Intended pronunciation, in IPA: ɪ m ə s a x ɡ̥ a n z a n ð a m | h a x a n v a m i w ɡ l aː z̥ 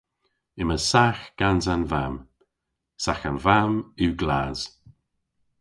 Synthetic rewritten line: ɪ m ə s a x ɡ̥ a n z a n v a m | s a x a n v a m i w ɡ l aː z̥